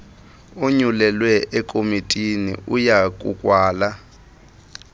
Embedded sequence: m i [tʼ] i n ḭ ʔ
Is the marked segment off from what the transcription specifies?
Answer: no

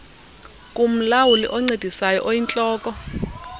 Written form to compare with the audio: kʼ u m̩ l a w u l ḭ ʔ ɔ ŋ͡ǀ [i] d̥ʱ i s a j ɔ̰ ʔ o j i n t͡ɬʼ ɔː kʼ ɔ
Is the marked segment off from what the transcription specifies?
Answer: yes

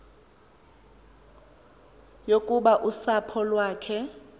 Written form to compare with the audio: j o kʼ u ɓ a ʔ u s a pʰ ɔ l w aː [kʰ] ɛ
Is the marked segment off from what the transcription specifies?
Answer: no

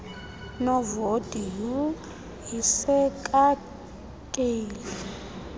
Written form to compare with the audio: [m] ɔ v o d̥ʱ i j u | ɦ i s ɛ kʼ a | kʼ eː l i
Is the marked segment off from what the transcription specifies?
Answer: yes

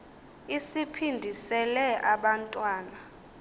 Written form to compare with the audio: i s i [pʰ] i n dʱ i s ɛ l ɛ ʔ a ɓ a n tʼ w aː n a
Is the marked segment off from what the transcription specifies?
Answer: no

